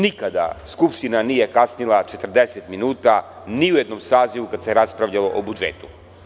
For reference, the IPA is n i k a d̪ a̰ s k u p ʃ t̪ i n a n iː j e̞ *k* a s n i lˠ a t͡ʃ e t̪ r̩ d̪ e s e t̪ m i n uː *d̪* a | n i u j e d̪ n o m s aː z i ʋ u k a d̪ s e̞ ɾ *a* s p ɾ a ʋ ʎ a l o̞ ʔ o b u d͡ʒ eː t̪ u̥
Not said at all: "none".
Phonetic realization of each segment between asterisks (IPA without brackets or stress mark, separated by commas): k, t̪, a